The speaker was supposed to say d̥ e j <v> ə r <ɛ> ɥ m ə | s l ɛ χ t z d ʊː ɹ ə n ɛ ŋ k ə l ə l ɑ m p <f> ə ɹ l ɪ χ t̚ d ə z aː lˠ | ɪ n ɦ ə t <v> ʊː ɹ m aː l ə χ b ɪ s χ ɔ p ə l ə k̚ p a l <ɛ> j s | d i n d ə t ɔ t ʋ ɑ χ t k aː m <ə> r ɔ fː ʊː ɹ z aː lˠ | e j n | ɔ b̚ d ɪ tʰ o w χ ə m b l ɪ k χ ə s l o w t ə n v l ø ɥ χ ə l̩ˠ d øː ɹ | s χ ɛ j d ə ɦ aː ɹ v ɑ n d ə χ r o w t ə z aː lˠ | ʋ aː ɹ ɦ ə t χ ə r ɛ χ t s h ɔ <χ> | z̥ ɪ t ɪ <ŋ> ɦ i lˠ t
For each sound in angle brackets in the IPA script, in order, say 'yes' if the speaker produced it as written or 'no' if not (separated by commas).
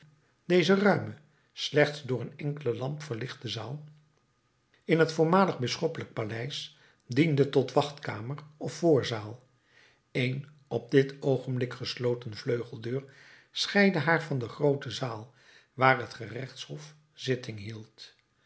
no, no, yes, no, yes, yes, no, yes